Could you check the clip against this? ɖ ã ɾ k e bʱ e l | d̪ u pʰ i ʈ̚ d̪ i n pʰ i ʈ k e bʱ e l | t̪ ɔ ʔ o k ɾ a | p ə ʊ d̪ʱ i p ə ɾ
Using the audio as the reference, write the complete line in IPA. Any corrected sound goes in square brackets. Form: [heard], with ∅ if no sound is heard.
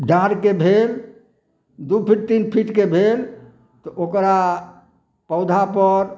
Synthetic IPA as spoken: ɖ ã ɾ k e bʱ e l | d̪ u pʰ i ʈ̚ [t̪] i n pʰ i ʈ k e bʱ e l | t̪ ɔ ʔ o k ɾ a | p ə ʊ d̪ʱ [a] p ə ɾ